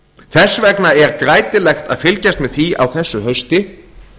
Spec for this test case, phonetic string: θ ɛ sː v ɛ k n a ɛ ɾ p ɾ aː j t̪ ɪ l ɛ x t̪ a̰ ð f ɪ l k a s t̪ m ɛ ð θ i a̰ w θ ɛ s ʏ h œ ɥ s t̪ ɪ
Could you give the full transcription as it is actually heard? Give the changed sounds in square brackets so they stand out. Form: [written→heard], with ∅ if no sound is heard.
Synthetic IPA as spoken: θ ɛ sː v ɛ k n a ɛ ɾ [p→k] ɾ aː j t̪ ɪ l ɛ x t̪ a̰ ð f ɪ l [k→c] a s t̪ m ɛ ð θ i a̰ w θ ɛ [s→sː] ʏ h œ ɥ s t̪ ɪ